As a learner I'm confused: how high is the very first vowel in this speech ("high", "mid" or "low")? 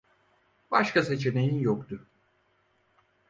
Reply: low